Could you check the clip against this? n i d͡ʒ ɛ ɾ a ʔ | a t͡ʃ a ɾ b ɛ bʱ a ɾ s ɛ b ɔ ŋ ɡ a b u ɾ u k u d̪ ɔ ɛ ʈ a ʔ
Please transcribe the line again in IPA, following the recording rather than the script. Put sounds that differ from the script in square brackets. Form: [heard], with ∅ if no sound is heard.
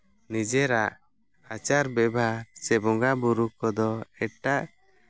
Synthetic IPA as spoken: n i d͡ʒ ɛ ɾ a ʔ | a t͡ʃ a ɾ b ɛ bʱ a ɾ s ɛ b ɔ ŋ ɡ a b u ɾ u k [ɔ] d̪ ɔ ɛ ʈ a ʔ